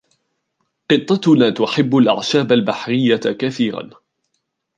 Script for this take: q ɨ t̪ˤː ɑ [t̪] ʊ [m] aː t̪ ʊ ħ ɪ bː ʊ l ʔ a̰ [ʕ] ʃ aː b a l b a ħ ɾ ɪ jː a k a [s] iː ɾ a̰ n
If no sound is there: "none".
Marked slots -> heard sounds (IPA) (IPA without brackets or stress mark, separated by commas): t̪, n, ʕ, θ